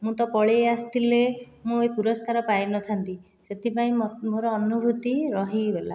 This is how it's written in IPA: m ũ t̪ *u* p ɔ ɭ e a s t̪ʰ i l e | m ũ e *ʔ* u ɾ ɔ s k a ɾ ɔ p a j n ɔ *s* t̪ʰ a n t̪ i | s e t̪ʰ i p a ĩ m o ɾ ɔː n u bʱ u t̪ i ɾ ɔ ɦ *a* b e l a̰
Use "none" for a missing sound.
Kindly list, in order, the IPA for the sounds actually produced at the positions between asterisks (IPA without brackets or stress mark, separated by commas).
ɔ, p, none, i